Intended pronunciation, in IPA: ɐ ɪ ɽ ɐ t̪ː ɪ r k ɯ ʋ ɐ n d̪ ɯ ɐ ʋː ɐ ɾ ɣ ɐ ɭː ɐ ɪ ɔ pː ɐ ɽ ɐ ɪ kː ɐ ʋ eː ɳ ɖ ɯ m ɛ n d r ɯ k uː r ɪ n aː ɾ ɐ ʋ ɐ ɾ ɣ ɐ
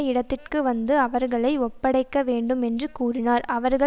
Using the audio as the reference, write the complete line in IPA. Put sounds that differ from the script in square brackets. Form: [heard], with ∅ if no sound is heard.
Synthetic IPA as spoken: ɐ ɪ ɽ ɐ t̪ː ɪ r k ɯ ʋ ɐ n d̪ ɯ ɐ [ʋ] ɐ ɾ ɣ ɐ [ɭ] ɐ ɪ ɔ pː ɐ ɽ ɐ ɪ kː ɐ ʋ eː ɳ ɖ ɯ m ɛ n d r ɯ k uː r ɪ n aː ɾ ɐ ʋ ɐ ɾ ɣ ɐ

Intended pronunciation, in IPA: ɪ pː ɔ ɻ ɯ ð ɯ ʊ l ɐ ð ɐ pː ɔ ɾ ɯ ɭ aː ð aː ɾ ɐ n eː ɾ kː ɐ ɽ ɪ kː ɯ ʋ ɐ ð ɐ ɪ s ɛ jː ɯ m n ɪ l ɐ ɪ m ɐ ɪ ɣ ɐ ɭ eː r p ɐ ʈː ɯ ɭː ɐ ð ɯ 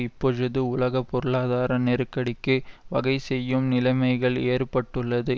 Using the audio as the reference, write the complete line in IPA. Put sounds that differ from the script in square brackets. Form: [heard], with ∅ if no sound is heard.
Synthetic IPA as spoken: ɪ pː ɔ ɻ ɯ ð ɯ ʊ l ɐ [ɣ] ɐ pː ɔ ɾ ɯ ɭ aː ð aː ɾ ɐ n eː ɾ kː ɐ ɽ ɪ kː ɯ ʋ ɐ [ɣ] ɐ ɪ s ɛ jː ɯ m n ɪ l ɐ ɪ m ɐ ɪ ɣ ɐ ɭ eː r p ɐ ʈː ɯ ɭː ɐ ð ɯ

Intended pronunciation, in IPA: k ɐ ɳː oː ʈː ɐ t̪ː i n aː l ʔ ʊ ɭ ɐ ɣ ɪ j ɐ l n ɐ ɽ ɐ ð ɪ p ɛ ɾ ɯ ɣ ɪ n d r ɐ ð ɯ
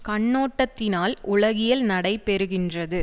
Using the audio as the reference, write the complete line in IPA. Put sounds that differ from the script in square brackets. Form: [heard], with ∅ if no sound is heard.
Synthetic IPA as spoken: k ɐ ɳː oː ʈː ɐ t̪ː [ɪ] n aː l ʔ ʊ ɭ ɐ ɣ ɪ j ɐ l n ɐ ɽ ɐ [∅] ɪ p ɛ ɾ ɯ ɣ ɪ n d r ɐ ð ɯ

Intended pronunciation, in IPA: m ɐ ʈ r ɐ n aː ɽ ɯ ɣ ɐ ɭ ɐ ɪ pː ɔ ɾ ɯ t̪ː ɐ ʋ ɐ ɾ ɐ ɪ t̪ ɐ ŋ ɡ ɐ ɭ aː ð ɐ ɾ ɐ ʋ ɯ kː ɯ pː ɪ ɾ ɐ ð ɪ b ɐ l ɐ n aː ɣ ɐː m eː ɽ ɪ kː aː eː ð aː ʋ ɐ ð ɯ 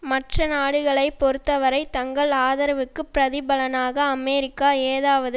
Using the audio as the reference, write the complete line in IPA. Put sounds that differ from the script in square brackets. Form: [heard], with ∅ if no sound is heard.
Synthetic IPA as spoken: m ɐ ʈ r ɐ n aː ɽ ɯ ɣ ɐ ɭ ɐ ɪ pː ɔ ɾ ɯ t̪ː ɐ ʋ ɐ ɾ ɐ ɪ t̪ ɐ ŋ ɡ ɐ ɭ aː ð ɐ ɾ ɐ ʋ ɯ kː ɯ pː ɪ ɾ ɐ ð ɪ b ɐ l ɐ n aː ɣ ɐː m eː [ɾ] ɪ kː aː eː ð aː ʋ ɐ ð ɯ

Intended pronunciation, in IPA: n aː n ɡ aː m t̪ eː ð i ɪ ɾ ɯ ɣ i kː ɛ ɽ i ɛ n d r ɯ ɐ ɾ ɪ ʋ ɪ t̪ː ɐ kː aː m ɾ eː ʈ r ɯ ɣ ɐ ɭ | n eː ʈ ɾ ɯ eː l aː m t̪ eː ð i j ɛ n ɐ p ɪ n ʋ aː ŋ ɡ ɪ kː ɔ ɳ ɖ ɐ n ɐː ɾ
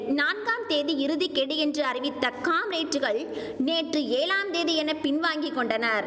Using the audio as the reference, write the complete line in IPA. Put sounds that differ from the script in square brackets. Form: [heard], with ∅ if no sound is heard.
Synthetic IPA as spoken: n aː n ɡ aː m t̪ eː ð i ɪ ɾ ɯ [ð] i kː ɛ ɽ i ɛ n d r ɯ ɐ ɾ ɪ ʋ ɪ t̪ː ɐ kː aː m ɾ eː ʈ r ɯ ɣ ɐ ɭ | n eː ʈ [r] ɯ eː l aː m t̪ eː ð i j ɛ n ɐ p ɪ n ʋ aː ŋ ɡ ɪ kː ɔ ɳ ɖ ɐ n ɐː ɾ

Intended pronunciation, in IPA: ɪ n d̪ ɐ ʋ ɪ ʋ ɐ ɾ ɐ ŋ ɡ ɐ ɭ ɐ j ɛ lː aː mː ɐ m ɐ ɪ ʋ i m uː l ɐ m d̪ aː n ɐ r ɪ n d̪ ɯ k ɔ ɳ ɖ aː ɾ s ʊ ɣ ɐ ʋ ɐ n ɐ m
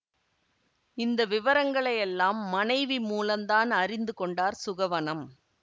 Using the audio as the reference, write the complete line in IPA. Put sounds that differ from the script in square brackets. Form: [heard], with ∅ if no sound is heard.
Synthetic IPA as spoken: ɪ n d̪ ɐ ʋ ɪ ʋ ɐ ɾ ɐ ŋ ɡ ɐ ɭ ɐ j ɛ lː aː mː ɐ [n] ɐ ɪ ʋ i m uː l ɐ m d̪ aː n ɐ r ɪ n d̪ ɯ k ɔ ɳ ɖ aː ɾ s ʊ ɣ ɐ ʋ ɐ n ɐ m

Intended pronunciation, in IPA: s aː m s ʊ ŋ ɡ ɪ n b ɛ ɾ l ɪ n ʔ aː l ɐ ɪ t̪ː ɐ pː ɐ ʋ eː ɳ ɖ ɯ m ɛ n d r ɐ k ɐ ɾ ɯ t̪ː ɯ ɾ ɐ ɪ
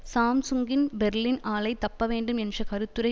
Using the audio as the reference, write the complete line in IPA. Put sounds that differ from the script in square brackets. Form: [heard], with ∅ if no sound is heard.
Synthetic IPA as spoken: s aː m s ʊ ŋ ɡ ɪ n b ɛ ɾ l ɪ n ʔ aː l ɐ ɪ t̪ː ɐ pː ɐ ʋ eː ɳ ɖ ɯ m ɛ n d r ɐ k ɐ ɾ ɯ t̪ː ɯ ɾ ɐ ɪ

